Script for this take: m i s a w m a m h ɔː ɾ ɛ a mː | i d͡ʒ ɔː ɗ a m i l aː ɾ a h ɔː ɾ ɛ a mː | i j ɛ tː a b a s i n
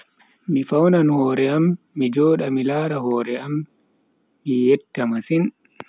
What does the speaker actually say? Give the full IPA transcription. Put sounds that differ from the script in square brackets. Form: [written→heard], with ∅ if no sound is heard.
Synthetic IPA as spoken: m i [s→f] a w [m→n] a [m→n] h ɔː ɾ ɛ a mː | i d͡ʒ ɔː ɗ a m i l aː ɾ a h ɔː ɾ ɛ a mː | i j ɛ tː a [b→m] a s i n